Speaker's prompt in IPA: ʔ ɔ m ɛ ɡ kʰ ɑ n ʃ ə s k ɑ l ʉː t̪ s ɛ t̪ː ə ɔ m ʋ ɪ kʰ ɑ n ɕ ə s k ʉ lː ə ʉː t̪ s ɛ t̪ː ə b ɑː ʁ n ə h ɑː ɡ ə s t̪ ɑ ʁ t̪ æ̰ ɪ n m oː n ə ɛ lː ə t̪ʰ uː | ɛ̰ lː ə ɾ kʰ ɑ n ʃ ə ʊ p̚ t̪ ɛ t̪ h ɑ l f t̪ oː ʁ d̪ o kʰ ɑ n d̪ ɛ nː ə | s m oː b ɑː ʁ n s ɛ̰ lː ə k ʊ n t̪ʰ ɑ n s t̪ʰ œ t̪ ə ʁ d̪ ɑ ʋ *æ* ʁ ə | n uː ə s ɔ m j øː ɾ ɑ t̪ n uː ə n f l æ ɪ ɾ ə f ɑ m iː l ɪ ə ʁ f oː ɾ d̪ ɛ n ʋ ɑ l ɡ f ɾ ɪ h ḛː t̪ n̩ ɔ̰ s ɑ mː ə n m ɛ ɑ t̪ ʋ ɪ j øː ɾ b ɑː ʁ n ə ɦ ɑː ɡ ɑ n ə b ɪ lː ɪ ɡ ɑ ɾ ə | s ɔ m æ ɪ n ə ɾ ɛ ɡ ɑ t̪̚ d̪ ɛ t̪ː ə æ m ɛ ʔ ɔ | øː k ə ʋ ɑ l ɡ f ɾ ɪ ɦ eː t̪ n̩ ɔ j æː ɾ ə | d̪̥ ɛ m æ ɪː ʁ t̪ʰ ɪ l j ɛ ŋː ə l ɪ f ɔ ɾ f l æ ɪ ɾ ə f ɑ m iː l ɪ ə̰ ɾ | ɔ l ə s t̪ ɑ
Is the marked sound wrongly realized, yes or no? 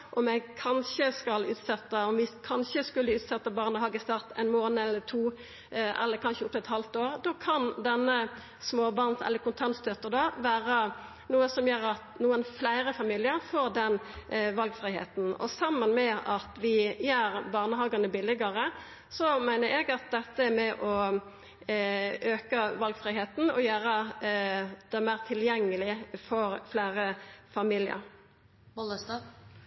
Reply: yes